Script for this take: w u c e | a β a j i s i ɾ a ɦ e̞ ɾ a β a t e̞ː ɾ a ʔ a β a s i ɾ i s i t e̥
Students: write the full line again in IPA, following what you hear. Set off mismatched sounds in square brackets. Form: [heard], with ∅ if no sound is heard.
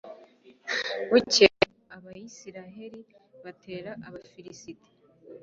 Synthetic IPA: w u c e | a β a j i s i ɾ a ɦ e̞ ɾ [i] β a t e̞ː ɾ a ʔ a β a [f] i ɾ i s i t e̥